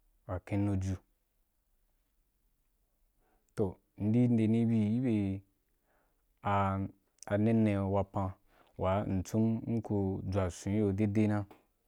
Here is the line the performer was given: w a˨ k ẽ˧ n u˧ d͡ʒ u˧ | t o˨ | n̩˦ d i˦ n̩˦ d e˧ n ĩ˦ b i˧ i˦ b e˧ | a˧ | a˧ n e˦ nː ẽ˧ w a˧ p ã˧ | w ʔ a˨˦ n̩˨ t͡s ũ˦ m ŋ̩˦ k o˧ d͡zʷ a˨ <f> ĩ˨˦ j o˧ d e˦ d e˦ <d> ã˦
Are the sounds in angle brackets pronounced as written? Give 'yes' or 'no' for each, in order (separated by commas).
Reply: no, no